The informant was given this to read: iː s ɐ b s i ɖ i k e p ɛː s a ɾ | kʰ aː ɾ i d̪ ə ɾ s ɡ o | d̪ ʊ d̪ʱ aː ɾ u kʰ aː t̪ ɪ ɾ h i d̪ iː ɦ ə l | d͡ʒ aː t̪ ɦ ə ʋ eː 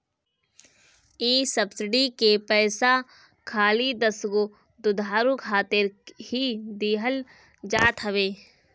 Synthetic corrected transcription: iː s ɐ b s ɪ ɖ i k e p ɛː s a | kʰ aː l i d̪ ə s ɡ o | d̪ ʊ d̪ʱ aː ɾ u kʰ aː t̪ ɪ ɾ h i d̪ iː ɦ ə l | d͡ʒ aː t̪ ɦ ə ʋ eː

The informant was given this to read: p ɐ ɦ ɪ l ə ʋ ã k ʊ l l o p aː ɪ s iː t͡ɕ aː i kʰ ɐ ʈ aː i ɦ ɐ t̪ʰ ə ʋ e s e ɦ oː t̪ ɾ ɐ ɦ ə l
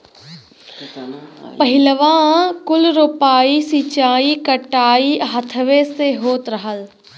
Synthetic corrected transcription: p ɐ ɦ ɪ l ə ʋ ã k ʊ l ɾ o p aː i s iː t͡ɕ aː i k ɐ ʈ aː i ɦ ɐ t̪ʰ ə ʋ e s e ɦ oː t̪ ɾ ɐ ɦ ə l

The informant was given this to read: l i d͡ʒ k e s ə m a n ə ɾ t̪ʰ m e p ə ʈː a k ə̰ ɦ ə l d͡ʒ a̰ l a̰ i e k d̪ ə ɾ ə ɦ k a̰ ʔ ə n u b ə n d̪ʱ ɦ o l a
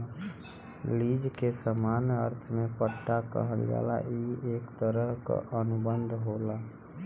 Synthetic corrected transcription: l i d͡ʒ k e s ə m a n ə ɾ t̪ʰ m e p ə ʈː a k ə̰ ɦ ə l d͡ʒ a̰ l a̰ i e k t̪ ə ɾ ə ɦ k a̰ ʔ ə n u b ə n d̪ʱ ɦ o l a

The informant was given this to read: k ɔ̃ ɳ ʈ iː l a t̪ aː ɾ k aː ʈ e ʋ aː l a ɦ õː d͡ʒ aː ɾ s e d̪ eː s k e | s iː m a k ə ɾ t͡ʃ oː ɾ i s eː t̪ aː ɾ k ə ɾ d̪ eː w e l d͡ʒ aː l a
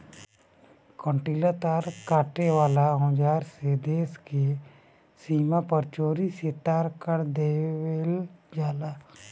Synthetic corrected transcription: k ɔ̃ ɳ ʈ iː l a t̪ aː ɾ k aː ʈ e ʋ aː l a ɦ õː d͡ʒ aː ɾ s e d̪ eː s k e | s iː m a p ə ɾ t͡ʃ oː ɾ i s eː t̪ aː ɾ k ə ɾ d̪ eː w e l d͡ʒ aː l a

